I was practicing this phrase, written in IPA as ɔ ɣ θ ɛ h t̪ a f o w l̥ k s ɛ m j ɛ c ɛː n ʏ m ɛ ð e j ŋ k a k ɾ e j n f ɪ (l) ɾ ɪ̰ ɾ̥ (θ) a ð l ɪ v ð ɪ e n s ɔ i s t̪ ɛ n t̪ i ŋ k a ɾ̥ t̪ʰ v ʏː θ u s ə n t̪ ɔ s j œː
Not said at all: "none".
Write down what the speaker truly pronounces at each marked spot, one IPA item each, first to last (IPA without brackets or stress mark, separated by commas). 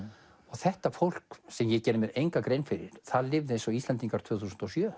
none, θ